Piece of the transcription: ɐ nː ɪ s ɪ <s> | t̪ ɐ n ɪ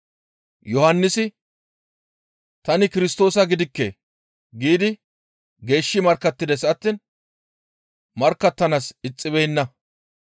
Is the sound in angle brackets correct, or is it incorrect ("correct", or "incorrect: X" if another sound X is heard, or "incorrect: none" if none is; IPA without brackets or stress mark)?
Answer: incorrect: none